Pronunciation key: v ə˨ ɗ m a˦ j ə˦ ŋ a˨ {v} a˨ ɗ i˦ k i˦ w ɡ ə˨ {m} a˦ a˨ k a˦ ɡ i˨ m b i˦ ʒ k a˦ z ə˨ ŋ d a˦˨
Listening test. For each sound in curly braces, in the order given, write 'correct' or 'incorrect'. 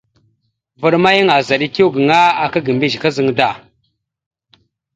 incorrect: z, incorrect: ŋ

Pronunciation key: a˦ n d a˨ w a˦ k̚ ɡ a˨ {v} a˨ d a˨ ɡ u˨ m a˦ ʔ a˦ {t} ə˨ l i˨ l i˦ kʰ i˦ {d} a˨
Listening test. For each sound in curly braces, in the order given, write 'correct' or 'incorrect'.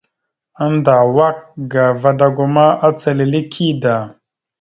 correct, incorrect: t͡s, correct

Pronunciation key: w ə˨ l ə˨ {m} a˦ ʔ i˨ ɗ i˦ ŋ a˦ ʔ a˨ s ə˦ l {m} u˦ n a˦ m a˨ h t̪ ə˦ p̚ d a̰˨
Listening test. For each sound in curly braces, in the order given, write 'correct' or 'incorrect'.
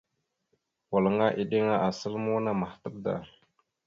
incorrect: ŋ, correct

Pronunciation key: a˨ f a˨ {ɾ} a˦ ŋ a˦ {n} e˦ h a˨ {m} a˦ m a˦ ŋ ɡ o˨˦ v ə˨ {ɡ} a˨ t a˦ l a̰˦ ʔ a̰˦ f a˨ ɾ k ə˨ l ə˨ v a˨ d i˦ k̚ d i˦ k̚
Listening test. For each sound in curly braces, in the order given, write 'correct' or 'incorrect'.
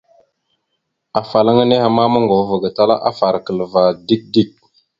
incorrect: l, correct, correct, correct

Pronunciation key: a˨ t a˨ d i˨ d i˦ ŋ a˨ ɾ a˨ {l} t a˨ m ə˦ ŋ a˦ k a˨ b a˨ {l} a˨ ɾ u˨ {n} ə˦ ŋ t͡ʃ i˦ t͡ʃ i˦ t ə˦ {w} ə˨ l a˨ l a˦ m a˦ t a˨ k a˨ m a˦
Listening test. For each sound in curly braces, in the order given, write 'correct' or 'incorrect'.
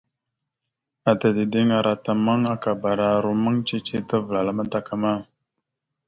incorrect: none, incorrect: ɾ, incorrect: m, incorrect: v

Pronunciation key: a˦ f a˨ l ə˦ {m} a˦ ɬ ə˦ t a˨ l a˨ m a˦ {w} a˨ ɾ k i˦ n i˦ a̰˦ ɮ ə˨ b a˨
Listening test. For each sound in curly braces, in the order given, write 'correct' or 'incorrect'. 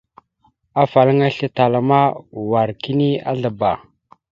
incorrect: ŋ, correct

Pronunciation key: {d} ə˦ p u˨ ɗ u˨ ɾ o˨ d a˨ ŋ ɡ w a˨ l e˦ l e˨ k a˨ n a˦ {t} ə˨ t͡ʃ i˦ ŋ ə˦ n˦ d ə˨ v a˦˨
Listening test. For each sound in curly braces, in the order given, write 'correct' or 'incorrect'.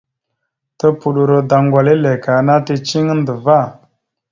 incorrect: t, correct

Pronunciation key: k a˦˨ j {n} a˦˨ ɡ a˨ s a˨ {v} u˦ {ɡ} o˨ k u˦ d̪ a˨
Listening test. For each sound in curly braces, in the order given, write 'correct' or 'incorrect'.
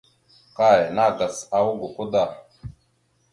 correct, incorrect: w, correct

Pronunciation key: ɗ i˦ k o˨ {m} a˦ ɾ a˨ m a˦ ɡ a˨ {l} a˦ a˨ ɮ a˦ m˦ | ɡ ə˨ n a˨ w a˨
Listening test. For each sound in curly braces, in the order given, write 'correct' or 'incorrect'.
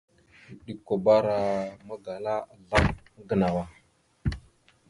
incorrect: b, correct

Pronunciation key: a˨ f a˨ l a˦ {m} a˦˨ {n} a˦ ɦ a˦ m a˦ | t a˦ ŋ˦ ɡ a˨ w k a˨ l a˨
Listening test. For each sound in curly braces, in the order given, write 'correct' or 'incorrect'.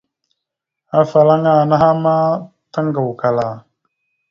incorrect: ŋ, correct

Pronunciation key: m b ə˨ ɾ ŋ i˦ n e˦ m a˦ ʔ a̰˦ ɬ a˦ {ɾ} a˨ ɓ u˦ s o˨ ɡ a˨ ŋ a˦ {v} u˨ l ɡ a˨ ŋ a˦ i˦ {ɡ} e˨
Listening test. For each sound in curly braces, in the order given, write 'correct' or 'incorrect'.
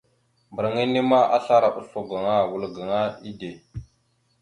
correct, incorrect: w, incorrect: d

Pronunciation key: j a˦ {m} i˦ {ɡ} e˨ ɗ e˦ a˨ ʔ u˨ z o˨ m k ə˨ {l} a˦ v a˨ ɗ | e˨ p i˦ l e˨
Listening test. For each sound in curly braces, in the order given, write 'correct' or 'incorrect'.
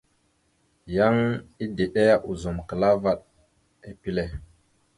incorrect: ŋ, incorrect: d, correct

